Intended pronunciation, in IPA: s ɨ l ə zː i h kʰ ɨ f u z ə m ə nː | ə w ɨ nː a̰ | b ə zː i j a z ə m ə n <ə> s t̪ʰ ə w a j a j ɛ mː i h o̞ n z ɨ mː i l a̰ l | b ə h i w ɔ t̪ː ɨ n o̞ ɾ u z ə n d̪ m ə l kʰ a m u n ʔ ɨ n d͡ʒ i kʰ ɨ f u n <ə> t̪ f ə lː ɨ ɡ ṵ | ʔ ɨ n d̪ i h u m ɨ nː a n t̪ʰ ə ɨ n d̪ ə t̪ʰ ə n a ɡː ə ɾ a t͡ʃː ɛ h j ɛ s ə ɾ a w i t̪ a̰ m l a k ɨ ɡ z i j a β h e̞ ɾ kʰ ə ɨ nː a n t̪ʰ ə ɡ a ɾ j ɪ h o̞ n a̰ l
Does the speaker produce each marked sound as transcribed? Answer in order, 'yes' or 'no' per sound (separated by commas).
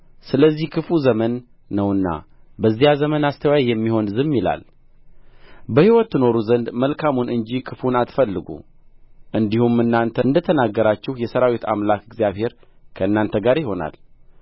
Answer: no, no